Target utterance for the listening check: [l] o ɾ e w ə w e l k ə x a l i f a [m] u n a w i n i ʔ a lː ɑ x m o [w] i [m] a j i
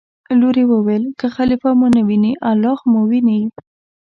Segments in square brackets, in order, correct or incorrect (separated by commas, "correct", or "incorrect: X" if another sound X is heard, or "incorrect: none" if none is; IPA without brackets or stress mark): correct, correct, correct, incorrect: n